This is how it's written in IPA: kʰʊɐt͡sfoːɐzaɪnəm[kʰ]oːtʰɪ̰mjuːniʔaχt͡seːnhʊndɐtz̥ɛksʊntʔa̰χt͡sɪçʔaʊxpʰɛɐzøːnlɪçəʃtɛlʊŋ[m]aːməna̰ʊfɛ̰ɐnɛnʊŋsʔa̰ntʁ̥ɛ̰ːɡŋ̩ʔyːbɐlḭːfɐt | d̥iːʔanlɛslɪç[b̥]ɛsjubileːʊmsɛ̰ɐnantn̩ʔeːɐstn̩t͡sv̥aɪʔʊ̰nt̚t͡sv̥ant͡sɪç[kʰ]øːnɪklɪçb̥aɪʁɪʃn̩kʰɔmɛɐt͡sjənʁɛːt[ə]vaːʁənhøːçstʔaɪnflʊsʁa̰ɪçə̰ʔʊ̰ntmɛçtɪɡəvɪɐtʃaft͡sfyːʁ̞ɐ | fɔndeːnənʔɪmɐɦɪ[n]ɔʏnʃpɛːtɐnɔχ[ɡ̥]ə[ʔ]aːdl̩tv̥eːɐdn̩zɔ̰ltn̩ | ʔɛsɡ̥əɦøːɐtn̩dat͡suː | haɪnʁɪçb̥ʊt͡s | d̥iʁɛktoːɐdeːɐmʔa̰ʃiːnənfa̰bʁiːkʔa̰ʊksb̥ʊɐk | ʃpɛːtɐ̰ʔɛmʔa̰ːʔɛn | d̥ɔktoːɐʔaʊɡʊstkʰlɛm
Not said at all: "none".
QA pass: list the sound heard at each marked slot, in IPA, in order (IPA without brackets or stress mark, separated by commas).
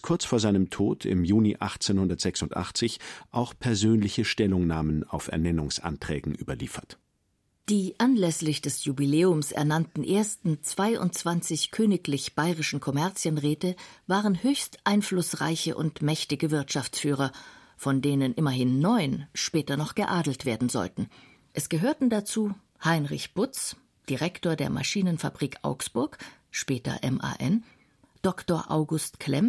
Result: tʰ, n, d̥, kʰ, ə, nː, ɡ̥, ʔ